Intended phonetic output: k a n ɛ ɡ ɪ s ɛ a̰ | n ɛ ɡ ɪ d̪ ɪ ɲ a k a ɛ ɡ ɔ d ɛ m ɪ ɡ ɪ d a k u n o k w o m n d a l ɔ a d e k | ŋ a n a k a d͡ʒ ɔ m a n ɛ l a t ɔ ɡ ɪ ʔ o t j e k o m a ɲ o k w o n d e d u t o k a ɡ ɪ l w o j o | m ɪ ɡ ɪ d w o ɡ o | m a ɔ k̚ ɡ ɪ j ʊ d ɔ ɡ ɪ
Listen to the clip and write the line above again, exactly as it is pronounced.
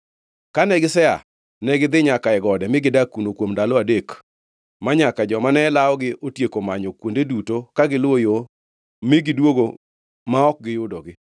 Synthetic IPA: k a n ɛ ɡ ɪ s ɛ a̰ | n ɛ ɡ ɪ d̪ ɪ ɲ a k a ɛ ɡ ɔ d ɛ m ɪ ɡ ɪ d a k u n o k w o m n d a l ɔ a d e k | m a ɲ a k a d͡ʒ ɔ m a n ɛ l a ɔ ɡ ɪ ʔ o t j e k o m a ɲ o k w o n d e d u t o k a ɡ ɪ l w o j o | m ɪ ɡ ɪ d w o ɡ o | m a ɔ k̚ ɡ ɪ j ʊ d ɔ ɡ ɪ